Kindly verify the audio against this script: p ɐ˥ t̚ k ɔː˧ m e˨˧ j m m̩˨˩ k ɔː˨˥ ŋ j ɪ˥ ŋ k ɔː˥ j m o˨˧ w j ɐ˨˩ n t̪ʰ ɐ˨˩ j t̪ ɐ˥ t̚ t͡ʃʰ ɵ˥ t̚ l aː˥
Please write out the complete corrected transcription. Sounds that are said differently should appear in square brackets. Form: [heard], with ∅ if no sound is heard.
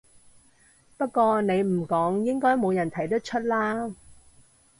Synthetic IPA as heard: p ɐ˥ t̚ k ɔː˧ [n] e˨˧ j m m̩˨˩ k ɔː˨˥ ŋ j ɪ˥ ŋ k ɔː˥ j m o˨˧ w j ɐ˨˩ n t̪ʰ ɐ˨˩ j t̪ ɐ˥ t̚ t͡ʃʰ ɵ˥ t̚ l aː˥